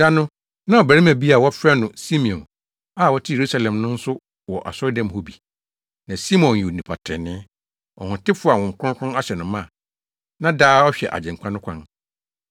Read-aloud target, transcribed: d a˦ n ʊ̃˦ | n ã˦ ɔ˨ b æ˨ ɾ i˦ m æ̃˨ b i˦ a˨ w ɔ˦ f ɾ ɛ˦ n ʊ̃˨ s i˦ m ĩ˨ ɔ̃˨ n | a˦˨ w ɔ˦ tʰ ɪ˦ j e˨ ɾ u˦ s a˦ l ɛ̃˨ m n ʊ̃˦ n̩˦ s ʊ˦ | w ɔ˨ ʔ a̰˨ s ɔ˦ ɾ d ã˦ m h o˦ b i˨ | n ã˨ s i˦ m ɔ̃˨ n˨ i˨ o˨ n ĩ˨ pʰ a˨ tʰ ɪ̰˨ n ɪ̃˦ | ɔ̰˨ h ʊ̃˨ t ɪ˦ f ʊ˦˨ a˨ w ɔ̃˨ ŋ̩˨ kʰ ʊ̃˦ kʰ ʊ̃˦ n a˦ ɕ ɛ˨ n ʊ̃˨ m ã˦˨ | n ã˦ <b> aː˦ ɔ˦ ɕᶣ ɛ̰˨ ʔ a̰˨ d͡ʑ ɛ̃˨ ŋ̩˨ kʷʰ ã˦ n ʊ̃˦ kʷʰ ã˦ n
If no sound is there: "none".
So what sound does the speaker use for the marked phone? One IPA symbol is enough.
d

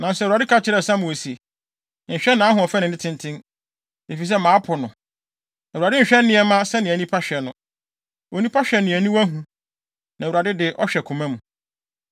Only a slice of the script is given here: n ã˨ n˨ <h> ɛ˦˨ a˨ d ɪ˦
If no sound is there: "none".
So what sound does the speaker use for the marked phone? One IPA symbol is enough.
s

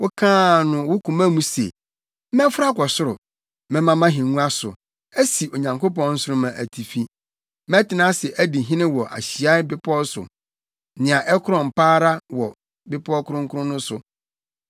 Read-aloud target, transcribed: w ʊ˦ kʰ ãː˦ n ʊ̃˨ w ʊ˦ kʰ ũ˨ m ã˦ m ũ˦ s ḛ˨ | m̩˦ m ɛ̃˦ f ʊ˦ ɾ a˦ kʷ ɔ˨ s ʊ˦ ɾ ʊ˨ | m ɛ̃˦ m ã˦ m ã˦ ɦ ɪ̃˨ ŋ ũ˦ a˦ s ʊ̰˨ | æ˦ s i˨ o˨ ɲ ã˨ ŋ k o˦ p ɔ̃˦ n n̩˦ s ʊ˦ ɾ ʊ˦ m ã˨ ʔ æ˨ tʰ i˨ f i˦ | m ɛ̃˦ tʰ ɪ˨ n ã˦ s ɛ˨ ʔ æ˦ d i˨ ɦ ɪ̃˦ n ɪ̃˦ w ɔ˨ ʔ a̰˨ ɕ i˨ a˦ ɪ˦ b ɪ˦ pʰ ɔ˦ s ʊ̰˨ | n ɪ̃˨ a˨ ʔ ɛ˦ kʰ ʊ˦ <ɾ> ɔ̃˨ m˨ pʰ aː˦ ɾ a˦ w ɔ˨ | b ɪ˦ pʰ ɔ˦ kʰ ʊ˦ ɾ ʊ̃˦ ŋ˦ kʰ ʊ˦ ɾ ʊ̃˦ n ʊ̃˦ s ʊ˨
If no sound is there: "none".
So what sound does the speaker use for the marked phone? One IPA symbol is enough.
ɾ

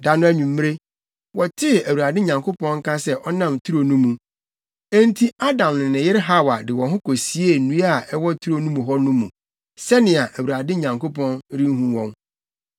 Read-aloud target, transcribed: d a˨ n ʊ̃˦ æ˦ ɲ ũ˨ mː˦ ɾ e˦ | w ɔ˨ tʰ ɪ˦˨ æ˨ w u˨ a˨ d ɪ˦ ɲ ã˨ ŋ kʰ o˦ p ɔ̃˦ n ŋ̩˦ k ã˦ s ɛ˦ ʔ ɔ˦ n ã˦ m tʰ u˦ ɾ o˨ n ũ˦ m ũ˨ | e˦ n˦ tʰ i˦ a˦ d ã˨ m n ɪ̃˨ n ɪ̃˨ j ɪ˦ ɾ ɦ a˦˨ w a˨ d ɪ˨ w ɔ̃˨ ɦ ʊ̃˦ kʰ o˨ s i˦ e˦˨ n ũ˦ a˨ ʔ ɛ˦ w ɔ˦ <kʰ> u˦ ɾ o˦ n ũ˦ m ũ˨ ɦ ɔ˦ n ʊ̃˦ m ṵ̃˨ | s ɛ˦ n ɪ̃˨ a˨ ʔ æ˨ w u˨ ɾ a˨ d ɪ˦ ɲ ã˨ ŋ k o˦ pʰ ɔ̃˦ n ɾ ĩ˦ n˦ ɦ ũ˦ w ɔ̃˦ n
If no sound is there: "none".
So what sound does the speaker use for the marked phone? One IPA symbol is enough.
tʰ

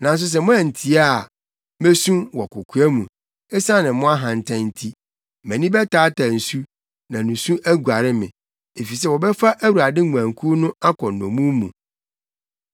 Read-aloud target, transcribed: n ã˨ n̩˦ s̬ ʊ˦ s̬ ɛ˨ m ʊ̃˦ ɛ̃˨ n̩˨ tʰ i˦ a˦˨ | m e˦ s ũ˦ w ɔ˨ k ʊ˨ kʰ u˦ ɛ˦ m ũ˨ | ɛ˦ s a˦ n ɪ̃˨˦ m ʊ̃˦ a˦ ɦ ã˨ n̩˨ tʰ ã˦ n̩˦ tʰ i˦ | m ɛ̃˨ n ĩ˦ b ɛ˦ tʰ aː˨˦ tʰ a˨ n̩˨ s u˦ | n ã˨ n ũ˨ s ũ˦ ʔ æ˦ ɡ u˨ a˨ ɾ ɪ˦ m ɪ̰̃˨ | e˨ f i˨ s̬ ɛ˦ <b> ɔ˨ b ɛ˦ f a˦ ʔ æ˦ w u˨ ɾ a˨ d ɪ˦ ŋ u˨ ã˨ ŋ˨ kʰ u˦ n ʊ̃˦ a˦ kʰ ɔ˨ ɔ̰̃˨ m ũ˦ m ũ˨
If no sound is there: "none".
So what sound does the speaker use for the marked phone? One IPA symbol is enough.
w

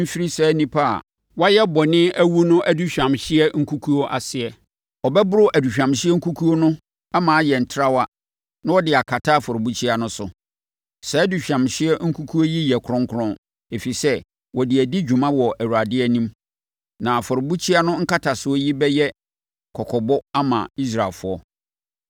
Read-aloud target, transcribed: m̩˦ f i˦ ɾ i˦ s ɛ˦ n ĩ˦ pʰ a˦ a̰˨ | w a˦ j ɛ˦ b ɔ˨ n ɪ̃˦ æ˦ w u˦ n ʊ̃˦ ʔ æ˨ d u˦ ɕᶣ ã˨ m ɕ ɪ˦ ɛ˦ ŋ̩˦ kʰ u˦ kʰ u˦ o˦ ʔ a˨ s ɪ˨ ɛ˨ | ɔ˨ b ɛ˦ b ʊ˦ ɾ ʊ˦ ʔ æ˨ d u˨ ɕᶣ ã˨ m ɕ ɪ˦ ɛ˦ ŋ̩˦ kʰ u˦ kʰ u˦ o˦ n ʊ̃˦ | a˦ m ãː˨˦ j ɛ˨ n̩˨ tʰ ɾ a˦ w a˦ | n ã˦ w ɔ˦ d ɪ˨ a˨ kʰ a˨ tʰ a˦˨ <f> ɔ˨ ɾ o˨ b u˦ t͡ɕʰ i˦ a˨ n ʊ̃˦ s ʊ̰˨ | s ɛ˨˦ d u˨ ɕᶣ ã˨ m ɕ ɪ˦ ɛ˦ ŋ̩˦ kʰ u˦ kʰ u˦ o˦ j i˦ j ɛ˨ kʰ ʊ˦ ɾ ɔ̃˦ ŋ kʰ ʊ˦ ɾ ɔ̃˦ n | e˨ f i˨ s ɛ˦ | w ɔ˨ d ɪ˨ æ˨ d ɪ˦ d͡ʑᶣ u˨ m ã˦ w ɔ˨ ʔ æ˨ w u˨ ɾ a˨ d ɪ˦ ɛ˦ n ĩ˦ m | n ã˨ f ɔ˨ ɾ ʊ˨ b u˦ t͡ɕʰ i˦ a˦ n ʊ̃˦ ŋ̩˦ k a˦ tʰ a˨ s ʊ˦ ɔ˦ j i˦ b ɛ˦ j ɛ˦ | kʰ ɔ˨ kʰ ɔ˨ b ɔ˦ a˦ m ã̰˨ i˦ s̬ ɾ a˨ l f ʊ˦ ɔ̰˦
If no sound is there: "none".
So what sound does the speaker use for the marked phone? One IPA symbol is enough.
f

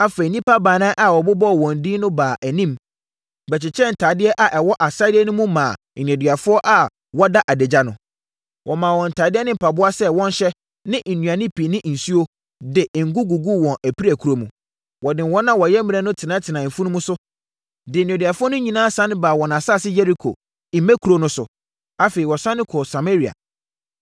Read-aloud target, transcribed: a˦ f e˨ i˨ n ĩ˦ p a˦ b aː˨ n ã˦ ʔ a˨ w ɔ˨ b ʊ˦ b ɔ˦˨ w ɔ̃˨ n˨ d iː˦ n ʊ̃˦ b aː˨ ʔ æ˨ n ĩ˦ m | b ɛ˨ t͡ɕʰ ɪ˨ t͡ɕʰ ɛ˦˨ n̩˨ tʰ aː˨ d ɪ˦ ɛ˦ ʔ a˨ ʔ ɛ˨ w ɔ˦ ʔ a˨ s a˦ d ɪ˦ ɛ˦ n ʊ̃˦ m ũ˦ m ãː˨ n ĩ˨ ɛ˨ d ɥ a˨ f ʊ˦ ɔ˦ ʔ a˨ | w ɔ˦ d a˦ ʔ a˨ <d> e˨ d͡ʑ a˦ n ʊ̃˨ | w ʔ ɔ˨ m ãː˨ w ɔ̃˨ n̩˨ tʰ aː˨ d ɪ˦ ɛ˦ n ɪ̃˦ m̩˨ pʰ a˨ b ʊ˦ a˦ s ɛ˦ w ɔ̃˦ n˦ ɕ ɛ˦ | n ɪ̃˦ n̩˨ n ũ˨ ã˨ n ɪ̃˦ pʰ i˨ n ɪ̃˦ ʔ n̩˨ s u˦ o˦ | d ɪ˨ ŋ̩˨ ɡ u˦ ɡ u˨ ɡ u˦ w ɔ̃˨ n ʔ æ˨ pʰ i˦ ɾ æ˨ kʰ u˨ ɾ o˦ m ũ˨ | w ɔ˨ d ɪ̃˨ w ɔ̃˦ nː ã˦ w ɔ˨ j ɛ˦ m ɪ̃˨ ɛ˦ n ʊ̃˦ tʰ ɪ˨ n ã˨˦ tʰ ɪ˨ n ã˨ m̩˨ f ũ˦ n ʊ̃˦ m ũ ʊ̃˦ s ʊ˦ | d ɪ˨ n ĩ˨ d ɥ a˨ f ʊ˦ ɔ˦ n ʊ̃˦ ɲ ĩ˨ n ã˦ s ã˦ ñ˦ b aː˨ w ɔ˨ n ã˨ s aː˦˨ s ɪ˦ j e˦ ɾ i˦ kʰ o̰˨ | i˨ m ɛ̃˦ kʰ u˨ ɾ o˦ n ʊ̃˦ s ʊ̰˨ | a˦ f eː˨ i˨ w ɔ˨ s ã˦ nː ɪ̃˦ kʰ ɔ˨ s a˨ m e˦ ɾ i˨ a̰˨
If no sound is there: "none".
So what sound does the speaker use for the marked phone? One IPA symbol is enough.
d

